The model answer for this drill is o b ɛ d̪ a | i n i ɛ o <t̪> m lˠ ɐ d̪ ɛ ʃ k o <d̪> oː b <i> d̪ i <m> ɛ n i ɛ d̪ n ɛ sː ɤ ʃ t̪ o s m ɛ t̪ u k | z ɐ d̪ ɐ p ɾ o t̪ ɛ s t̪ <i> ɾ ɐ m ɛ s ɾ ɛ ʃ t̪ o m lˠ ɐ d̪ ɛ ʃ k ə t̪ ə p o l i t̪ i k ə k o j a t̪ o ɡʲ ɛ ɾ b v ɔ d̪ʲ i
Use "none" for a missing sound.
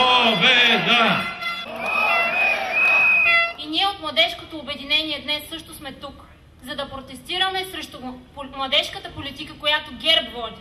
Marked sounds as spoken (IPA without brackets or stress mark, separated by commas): t̪, t̪, ɛ, n, i